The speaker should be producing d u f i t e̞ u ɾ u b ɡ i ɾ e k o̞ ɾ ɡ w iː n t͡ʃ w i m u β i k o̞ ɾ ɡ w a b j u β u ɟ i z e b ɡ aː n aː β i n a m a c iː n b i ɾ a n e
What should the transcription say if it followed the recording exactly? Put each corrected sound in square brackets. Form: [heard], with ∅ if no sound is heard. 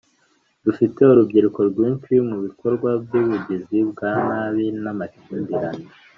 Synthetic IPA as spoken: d u f i t e̞ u ɾ u b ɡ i ɾ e k o̞ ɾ ɡ w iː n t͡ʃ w i m u β i k o̞ ɾ ɡ w a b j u β u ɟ i z [i] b ɡ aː n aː β i n a m a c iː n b i ɾ a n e